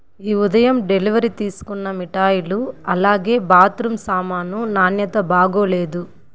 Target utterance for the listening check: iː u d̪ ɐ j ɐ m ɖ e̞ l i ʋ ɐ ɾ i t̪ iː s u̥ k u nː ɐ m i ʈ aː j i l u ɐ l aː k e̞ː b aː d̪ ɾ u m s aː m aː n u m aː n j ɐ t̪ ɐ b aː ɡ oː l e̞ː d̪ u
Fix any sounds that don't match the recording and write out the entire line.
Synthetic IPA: iː u d̪ ɐ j ɐ m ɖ e̞ l i ʋ ɐ ɾ i t̪ iː s u̥ k u nː ɐ m i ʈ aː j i l u ɐ l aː ɡ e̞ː b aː t̪ ɾ u m s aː m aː n u n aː n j ɐ t̪ ɐ b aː ɡ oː l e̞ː d̪ u